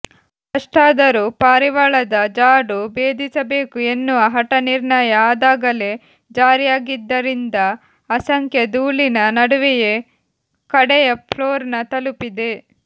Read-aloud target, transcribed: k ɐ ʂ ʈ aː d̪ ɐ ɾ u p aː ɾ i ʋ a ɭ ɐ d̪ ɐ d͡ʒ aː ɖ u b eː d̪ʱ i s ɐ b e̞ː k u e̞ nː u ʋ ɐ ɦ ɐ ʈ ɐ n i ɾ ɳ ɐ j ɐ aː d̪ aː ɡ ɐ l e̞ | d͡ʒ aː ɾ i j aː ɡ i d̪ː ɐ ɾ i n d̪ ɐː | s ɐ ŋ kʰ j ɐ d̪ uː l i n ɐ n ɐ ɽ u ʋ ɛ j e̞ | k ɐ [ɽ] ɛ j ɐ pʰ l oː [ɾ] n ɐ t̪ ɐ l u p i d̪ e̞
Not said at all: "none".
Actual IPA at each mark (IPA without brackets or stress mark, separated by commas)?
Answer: ɽ, ɾ